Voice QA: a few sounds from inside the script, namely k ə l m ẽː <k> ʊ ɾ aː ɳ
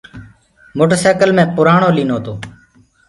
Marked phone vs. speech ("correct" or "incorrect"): incorrect